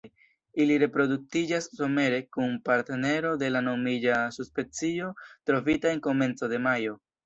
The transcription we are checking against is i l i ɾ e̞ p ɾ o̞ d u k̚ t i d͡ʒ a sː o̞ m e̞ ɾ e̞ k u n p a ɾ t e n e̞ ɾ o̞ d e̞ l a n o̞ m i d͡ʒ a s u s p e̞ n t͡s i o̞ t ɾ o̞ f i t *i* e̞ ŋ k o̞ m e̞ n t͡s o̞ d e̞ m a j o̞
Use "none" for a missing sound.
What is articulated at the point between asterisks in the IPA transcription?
a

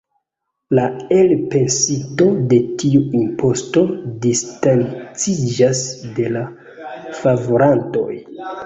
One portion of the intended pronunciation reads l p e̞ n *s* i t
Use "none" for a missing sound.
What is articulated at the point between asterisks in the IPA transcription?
s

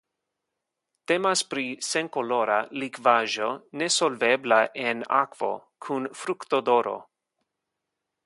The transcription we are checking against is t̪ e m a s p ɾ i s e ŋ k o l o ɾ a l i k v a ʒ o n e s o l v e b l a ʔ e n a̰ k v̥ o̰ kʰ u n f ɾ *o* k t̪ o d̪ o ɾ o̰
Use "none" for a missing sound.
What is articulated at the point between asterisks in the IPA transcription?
u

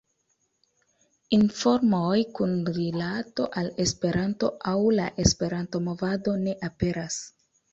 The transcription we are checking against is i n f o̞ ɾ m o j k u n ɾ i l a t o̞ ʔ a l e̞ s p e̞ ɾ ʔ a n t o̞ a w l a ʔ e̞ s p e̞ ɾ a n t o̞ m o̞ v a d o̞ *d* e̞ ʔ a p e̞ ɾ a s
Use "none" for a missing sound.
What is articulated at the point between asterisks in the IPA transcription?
n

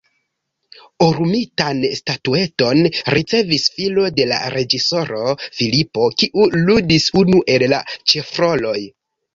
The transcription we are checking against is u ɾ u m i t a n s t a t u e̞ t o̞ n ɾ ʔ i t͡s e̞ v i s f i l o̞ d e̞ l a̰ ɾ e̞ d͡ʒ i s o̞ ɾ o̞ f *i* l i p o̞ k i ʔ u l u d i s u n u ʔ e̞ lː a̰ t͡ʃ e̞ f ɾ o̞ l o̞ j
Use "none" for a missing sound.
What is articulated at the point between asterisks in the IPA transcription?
i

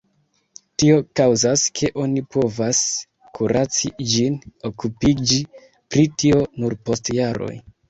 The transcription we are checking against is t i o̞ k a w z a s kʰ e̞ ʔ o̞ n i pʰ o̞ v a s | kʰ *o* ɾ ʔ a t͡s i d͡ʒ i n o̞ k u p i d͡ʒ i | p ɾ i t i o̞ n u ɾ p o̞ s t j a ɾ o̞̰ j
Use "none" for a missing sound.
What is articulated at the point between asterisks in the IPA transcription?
u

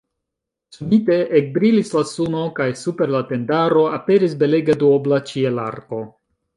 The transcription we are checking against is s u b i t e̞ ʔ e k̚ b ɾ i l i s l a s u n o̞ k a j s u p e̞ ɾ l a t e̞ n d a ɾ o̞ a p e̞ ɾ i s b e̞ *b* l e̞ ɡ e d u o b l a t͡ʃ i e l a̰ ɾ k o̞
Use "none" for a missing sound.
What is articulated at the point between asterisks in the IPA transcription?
none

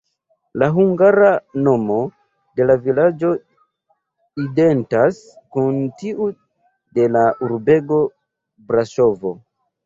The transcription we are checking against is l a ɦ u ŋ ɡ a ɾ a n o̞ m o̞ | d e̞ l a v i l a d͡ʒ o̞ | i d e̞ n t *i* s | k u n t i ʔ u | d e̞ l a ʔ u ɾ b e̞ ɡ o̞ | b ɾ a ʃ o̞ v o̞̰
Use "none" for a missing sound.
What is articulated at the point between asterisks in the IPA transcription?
a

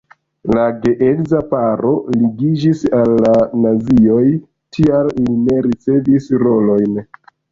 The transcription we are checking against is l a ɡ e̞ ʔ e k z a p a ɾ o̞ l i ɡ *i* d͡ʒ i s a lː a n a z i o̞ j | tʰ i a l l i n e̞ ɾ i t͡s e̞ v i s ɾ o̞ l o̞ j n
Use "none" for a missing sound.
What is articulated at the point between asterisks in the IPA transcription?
i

